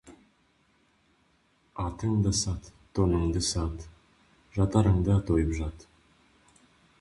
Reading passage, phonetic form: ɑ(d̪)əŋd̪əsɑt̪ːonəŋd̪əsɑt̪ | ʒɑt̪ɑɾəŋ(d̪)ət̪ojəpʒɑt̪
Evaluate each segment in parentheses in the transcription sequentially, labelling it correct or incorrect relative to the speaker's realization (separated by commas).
incorrect, correct